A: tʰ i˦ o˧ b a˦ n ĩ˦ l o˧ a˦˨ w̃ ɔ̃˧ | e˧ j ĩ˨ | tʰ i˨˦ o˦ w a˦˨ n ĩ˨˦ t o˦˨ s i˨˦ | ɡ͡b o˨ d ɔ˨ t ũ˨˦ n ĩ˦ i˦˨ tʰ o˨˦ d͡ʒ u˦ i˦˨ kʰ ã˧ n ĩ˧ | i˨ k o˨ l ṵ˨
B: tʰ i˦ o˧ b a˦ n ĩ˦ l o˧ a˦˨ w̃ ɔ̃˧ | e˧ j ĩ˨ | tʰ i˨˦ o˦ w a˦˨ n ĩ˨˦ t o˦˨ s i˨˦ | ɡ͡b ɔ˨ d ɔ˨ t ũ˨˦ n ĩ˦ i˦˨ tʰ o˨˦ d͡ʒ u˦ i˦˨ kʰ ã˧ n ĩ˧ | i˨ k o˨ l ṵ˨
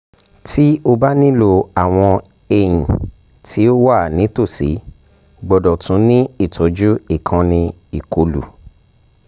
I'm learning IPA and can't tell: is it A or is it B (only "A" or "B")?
B